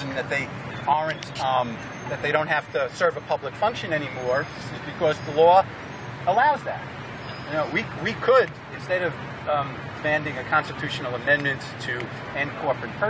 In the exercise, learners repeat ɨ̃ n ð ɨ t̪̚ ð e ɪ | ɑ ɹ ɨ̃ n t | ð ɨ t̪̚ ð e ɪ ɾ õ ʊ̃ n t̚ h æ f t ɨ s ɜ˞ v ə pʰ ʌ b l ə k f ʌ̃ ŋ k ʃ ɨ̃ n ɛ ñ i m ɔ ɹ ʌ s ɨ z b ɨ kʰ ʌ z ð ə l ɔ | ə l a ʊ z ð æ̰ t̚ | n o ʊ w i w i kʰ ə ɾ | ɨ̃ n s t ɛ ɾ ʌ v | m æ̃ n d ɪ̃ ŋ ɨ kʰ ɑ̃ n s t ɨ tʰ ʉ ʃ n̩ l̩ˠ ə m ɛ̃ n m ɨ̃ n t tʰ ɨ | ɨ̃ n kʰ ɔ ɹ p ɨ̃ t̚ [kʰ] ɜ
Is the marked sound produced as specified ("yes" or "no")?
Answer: no